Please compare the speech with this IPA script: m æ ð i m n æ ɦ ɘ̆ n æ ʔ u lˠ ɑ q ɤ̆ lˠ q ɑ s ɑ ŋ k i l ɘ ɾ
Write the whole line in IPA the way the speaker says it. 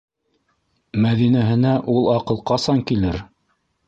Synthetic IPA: m æ ð i n æ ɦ ɘ̆ n æ ʔ u lˠ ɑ q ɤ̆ lˠ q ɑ s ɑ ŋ k i l ɘ ɾ

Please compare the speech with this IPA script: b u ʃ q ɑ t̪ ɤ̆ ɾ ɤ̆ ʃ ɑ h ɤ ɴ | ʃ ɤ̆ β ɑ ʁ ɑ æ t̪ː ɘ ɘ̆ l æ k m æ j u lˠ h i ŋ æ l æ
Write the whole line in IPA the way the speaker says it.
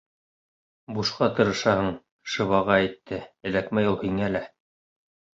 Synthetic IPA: b u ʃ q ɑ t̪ ɤ̆ ɾ ɤ̆ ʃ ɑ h ɤ ɴ | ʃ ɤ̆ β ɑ ʁ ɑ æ t̪ː ɘ ɘ̆ l æ k m æ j u lˠ h i ŋ æ l æ

